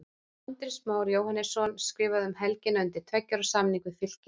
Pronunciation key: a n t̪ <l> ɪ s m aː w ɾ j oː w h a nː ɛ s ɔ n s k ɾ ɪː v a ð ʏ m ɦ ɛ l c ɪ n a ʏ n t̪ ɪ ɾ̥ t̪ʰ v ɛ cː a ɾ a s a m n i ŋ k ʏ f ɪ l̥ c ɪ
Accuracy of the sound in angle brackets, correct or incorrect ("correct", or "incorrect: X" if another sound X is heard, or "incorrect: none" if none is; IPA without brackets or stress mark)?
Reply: incorrect: ɾ